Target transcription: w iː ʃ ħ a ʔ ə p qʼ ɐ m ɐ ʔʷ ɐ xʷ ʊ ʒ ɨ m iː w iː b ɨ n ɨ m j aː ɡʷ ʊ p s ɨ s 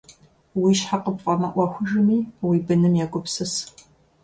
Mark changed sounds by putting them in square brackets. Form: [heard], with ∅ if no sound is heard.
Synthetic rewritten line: w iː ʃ ħ a [q] ə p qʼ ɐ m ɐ ʔʷ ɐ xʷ ʊ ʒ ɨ m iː w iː b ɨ n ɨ m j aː ɡʷ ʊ p s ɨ s

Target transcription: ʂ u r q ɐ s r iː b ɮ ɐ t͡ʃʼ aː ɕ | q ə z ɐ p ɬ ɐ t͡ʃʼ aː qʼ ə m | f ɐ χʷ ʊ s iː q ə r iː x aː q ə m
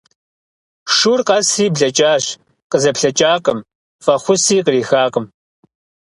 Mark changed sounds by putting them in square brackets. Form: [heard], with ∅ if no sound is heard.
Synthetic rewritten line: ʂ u r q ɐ s r iː b ɮ ɐ t͡ʃʼ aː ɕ | q ə z ɐ p ɬ ɐ t͡ʃʼ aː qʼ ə m | f ɐ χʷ ʊ s iː q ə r iː x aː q ə m

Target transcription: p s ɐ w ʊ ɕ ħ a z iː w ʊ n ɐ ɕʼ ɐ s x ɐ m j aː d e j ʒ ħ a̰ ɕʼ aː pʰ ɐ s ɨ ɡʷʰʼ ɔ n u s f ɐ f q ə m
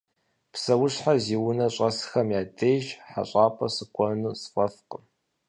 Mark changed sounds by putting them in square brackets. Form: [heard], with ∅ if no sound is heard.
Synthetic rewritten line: p s ɐ w ʊ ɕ ħ a z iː w ʊ n ɐ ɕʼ ɐ s x ɐ m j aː d e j ʒ ħ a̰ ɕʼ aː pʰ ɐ s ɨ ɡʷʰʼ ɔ n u s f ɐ f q ə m

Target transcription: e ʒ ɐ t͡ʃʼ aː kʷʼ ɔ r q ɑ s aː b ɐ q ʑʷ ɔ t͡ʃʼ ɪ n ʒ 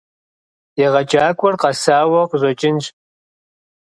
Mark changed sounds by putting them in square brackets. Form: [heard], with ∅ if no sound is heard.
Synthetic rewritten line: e [ʁ] ɐ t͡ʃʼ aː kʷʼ ɔ r q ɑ s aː [w] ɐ q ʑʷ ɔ t͡ʃʼ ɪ n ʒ

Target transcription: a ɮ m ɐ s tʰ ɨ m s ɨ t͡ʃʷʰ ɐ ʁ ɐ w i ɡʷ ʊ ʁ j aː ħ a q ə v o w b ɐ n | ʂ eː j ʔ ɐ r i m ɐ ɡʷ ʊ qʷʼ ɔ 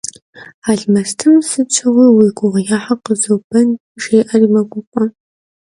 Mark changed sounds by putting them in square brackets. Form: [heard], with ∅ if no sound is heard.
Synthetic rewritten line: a ɮ m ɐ s tʰ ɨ m s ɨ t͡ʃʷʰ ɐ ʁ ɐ w i ɡʷ ʊ ʁ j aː ħ a q ə [z] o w b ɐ n | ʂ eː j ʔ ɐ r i m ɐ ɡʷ ʊ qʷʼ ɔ

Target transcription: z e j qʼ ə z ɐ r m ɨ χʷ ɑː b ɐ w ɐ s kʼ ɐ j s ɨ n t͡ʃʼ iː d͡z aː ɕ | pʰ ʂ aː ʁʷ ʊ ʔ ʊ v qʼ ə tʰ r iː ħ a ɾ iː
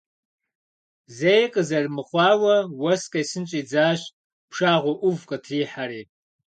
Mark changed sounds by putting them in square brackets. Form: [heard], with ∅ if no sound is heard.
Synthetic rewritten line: z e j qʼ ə z ɐ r m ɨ χʷ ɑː [w] ɐ w ɐ s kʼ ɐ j s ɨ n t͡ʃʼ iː d͡z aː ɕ | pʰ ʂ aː ʁʷ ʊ ʔ ʊ v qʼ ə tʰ r iː ħ a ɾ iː

